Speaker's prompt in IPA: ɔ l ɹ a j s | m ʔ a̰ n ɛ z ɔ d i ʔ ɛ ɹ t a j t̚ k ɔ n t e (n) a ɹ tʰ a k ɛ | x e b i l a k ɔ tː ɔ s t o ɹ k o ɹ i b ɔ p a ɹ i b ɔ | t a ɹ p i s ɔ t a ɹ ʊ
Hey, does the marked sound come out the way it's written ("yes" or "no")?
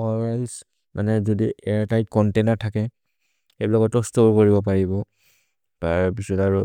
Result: yes